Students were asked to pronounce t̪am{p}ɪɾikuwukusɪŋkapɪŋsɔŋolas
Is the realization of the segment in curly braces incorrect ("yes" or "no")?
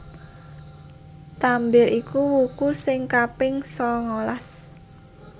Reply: yes